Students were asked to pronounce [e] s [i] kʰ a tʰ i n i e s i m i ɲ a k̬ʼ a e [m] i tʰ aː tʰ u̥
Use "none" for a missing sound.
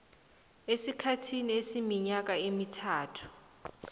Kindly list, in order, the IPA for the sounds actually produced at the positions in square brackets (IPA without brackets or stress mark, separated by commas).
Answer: e, i, m